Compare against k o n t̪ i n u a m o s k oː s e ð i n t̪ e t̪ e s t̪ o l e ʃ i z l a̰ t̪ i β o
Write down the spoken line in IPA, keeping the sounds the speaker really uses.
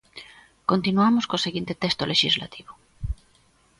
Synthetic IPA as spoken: k o n t̪ i n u a m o s k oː s e ɣ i n t̪ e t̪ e s t̪ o l e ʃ i z l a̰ t̪ i β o